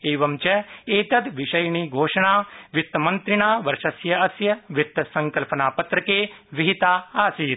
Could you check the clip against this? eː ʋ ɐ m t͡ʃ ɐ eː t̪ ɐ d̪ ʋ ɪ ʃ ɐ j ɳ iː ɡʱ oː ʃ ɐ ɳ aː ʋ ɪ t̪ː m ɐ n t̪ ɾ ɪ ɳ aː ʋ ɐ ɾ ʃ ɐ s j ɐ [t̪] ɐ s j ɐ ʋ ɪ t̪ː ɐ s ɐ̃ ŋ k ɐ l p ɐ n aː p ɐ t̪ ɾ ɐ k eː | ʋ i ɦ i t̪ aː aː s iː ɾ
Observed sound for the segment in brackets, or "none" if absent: none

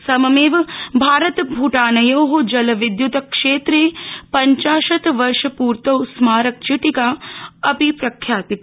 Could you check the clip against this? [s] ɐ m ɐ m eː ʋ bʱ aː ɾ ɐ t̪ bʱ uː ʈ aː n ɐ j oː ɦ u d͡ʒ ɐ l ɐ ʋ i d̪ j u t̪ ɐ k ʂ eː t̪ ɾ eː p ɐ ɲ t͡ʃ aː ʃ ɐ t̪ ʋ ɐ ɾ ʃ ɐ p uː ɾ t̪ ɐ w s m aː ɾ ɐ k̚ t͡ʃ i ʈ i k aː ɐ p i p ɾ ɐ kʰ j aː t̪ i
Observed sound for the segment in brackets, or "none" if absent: s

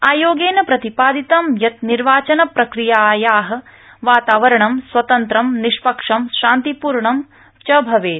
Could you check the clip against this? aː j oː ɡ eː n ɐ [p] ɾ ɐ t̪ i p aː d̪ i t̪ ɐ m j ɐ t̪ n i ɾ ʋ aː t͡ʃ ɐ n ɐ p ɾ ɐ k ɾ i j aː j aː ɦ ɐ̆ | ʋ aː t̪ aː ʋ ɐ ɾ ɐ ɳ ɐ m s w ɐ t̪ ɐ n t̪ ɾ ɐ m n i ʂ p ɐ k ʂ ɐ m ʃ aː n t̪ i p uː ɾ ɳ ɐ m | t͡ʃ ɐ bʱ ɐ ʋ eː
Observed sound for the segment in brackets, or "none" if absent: p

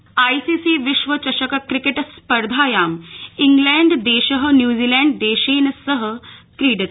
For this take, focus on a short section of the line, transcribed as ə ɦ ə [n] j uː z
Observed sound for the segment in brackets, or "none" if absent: n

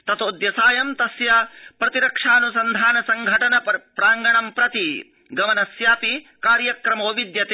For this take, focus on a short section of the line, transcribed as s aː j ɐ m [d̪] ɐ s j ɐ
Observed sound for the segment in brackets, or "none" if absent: t̪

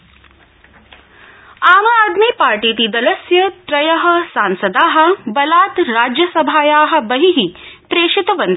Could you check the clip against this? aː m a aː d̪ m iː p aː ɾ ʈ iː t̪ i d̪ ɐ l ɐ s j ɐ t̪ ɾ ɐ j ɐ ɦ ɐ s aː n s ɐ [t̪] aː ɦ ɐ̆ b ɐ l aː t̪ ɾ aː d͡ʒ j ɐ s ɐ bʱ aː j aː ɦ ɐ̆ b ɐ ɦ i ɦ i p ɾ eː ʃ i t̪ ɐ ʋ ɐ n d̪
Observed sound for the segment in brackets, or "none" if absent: d̪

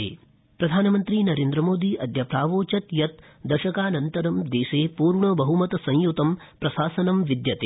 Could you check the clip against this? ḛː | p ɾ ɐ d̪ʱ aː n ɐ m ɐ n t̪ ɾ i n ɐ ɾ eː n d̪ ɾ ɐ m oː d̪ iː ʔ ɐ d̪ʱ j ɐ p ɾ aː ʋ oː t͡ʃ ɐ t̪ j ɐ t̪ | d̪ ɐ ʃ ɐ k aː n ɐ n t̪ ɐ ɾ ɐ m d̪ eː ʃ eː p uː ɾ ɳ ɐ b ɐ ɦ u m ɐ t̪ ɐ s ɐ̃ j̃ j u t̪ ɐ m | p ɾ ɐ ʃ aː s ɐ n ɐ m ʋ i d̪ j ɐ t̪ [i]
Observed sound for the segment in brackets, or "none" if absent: e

